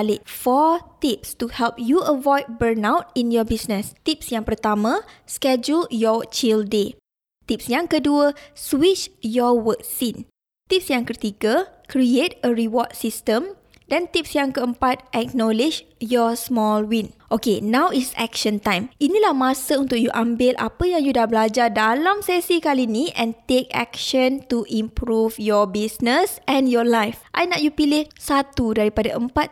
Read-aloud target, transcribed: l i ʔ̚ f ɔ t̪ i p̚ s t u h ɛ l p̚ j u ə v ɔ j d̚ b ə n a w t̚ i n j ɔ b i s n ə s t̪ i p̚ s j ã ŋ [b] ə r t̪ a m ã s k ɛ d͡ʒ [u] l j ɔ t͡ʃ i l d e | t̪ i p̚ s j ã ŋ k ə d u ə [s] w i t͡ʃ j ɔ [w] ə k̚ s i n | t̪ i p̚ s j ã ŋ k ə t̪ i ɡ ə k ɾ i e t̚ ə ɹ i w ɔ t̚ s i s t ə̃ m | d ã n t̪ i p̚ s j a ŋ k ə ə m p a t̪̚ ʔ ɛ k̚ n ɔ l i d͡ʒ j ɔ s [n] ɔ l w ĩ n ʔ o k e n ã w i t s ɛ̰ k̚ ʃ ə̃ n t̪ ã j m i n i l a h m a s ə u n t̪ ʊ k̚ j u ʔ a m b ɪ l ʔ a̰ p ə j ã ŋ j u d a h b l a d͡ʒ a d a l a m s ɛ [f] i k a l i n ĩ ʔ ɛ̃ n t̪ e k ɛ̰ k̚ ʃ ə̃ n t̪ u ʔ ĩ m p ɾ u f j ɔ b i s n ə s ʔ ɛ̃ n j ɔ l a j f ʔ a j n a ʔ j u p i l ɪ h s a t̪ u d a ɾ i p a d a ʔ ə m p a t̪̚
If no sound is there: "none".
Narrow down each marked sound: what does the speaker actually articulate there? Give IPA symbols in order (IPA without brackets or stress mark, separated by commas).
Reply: p, u, s, w, m, s